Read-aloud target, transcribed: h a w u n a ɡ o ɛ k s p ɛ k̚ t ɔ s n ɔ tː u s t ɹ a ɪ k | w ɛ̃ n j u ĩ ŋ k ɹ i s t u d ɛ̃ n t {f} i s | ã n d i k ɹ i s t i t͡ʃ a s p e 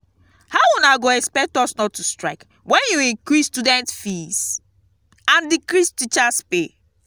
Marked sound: correct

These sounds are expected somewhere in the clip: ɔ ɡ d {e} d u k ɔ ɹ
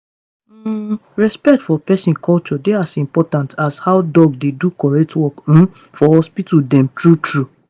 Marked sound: correct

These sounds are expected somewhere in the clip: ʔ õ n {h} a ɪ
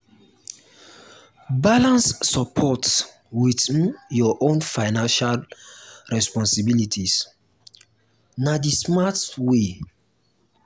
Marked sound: incorrect: f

